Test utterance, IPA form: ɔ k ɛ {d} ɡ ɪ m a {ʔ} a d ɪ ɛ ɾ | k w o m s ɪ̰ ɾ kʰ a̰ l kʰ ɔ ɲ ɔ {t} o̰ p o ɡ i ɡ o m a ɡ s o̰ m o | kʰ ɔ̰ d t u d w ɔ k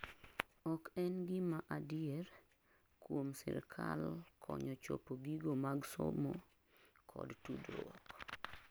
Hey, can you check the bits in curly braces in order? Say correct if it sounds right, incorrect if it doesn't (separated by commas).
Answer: incorrect, correct, incorrect